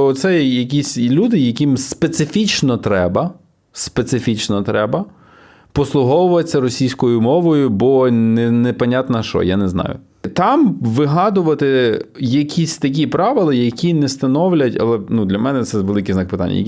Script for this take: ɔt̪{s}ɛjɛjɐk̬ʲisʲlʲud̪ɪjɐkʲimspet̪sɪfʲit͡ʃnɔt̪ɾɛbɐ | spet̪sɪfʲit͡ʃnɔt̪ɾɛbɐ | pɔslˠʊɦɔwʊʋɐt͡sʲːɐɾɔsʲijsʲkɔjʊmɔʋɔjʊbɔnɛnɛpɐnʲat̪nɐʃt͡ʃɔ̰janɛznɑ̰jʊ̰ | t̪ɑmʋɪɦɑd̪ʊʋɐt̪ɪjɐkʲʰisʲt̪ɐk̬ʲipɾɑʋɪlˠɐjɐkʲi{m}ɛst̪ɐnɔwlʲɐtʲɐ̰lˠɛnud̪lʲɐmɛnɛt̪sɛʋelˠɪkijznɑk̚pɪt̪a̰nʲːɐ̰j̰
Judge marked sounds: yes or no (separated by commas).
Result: yes, no